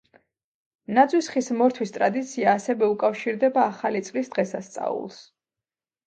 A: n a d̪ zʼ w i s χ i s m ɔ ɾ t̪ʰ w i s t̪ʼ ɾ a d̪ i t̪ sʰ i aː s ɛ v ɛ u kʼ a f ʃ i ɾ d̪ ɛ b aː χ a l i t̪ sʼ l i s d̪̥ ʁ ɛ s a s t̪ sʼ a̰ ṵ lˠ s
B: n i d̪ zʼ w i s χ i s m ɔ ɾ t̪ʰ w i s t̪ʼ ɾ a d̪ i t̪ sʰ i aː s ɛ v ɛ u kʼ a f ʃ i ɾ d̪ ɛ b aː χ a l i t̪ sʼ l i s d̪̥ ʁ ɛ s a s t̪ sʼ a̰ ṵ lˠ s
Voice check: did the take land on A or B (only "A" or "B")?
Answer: A